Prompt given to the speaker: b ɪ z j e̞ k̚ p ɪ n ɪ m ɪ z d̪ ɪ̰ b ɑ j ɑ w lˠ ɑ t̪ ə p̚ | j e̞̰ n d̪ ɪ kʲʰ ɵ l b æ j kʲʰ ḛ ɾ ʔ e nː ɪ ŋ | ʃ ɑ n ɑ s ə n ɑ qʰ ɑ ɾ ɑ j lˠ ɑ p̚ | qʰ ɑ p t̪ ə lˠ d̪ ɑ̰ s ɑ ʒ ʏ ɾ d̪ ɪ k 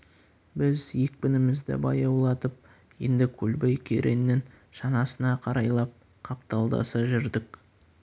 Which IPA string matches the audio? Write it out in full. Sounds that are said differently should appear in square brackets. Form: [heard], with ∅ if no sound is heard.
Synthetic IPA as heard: b ɪ z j e̞ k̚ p ɪ n ɪ m ɪ z d̪ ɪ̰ b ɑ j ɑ w lˠ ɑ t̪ ə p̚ | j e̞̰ n d̪ ɪ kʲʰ ɵ l b [e] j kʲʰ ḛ ɾ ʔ e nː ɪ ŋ | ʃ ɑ n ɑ s ə n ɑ qʰ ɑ ɾ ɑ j lˠ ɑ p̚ | qʰ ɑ p t̪ [ɑ] lˠ d̪ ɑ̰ s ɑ ʒ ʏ ɾ d̪ ɪ k